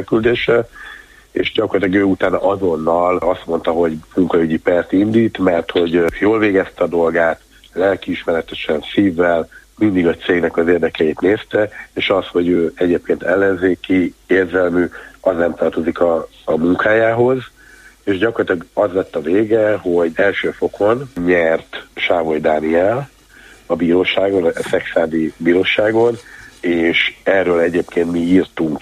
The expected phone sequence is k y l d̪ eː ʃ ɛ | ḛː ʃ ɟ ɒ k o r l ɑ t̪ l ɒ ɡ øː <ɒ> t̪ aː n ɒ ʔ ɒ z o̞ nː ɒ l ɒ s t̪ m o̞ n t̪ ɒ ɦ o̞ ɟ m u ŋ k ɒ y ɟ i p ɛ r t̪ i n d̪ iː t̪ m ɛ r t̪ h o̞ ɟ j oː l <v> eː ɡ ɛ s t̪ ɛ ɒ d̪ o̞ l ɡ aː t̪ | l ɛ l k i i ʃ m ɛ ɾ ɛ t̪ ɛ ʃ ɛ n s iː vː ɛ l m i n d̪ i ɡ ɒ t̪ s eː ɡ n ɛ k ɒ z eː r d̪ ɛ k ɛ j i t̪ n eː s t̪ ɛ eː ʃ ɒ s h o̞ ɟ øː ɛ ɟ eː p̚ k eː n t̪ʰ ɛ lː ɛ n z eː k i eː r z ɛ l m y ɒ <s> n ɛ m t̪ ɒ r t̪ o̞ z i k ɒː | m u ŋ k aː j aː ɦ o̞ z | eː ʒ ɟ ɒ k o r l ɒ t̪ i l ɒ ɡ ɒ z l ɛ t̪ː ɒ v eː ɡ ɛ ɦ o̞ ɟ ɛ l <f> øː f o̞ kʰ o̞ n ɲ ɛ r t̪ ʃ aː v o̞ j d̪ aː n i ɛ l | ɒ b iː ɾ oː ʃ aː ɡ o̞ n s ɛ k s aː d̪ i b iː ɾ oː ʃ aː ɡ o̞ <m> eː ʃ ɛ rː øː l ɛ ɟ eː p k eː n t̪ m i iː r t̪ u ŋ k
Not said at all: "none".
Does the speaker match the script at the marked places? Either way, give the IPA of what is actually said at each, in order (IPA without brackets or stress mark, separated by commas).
u, v, z, ʃ, n